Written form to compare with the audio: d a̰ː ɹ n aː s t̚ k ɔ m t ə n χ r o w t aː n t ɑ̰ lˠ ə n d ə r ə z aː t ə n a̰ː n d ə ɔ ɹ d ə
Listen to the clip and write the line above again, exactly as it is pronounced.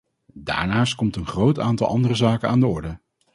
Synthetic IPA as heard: d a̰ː ɹ n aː s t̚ k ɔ m t ə n χ r o w t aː n t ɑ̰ lˠ ɑ n d ə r ə z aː k ə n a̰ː n d ə ɔ ɹ d ə